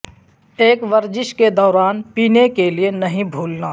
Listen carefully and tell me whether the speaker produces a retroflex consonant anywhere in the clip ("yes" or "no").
no